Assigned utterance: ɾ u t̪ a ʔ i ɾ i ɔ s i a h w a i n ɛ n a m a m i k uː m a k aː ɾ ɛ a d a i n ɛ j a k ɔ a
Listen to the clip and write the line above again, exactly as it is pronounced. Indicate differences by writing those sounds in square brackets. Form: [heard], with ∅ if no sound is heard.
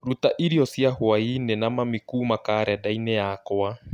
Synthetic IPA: ɾ u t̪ a ʔ i ɾ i ɔ s i a h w a i n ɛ n a m a m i k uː m a k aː ɾ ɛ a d a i n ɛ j a k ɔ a